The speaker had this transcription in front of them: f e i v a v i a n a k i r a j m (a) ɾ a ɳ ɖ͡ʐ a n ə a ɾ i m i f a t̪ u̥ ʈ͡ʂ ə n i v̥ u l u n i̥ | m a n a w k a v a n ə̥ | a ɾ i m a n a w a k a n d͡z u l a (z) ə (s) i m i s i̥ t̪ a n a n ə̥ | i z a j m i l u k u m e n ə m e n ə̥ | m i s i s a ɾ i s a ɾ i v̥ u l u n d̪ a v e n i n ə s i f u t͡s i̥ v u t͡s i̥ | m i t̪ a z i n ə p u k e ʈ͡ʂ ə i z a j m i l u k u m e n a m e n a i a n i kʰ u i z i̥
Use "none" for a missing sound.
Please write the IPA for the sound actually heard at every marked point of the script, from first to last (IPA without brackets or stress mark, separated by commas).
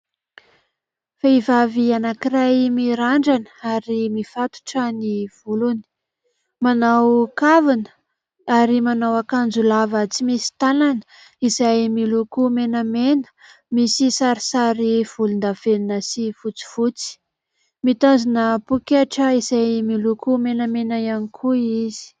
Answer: i, v, t͡s